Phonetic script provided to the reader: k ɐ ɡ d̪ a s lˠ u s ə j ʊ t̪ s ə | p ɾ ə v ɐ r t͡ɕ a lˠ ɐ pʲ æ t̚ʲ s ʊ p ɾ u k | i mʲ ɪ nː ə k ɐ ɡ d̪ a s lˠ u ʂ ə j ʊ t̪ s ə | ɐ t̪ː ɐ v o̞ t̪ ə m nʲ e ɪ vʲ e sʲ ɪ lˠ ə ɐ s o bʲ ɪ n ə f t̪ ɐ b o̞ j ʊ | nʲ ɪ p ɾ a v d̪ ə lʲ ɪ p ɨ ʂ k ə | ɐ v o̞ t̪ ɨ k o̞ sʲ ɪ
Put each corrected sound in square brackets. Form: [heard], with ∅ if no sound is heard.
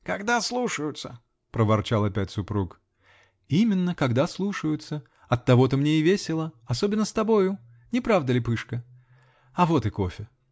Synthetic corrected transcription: k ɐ ɡ d̪ a s lˠ u [ʂ] ə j ʊ t̪ s ə | p ɾ ə v ɐ r t͡ɕ a lˠ ɐ pʲ æ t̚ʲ s ʊ p ɾ u k | i mʲ ɪ nː ə k ɐ ɡ d̪ a s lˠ u ʂ ə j ʊ t̪ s ə | ɐ t̪ː ɐ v o̞ t̪ ə m nʲ e ɪ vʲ e sʲ ɪ lˠ ə ɐ s o bʲ ɪ [nː] ə [s] t̪ ɐ b o̞ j ʊ | nʲ ɪ p ɾ a v d̪ ə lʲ ɪ p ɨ ʂ k ə | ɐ v o̞ t̪ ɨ k o̞ [fʲ] ɪ